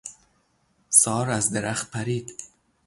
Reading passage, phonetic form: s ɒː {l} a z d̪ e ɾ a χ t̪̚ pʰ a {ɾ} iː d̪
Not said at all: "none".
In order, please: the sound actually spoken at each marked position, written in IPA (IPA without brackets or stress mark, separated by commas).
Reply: ɾ, ɾ